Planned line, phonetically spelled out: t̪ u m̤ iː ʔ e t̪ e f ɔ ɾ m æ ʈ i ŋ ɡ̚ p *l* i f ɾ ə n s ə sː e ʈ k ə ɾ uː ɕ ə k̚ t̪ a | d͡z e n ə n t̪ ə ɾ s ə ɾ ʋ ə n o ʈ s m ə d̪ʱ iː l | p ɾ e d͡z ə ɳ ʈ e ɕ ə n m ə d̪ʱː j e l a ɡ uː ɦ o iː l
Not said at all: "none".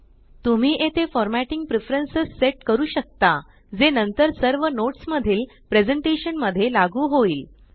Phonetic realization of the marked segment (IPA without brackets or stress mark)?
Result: ɾ